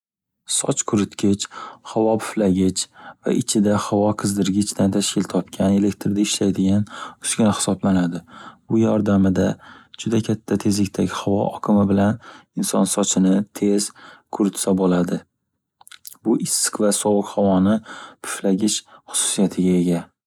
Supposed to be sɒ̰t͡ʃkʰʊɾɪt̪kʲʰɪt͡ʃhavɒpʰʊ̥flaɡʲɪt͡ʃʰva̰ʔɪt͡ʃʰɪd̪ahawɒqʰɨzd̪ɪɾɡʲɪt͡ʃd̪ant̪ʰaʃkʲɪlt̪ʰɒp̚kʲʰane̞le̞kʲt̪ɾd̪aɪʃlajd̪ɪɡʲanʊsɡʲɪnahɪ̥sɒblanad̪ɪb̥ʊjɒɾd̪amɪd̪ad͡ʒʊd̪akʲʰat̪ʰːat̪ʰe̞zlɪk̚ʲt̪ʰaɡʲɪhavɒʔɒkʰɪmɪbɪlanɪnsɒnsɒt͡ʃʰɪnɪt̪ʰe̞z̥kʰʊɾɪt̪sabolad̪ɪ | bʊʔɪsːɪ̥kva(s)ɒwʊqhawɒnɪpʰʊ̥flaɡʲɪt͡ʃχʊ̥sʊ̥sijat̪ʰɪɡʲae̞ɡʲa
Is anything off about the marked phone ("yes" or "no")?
no